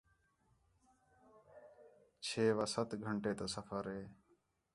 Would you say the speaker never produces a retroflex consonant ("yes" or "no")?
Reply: no